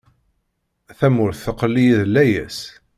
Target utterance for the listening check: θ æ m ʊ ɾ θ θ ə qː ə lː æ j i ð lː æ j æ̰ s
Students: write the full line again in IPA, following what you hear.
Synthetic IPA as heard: θ æ m ʊ ɾ θ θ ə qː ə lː i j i ð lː æ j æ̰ s